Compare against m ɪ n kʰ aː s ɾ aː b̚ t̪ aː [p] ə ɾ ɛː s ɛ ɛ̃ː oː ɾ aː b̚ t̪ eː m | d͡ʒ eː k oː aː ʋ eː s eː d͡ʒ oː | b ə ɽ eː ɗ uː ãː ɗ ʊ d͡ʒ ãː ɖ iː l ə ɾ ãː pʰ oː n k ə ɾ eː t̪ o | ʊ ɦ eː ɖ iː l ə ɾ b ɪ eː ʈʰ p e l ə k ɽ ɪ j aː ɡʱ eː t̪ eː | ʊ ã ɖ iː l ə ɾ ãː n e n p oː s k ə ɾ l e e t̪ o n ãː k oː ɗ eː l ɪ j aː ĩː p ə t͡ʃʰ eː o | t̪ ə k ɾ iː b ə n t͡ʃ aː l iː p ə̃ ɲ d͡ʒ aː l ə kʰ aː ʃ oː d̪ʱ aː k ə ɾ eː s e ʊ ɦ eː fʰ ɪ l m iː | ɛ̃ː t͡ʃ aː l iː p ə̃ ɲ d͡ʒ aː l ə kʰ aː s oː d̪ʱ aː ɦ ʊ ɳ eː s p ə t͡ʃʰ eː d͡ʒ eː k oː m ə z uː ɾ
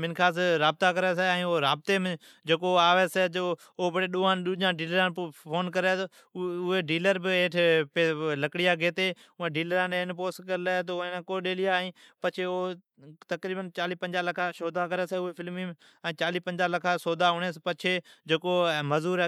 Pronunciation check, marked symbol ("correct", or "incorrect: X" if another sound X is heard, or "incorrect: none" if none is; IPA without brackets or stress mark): incorrect: k